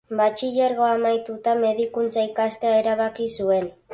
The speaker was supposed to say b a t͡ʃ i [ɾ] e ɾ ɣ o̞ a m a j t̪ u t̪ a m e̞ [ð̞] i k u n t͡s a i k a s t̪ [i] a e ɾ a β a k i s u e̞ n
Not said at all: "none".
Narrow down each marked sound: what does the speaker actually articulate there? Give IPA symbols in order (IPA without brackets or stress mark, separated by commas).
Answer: ʎ, ð̞, e